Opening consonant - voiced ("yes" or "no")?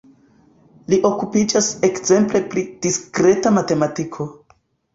yes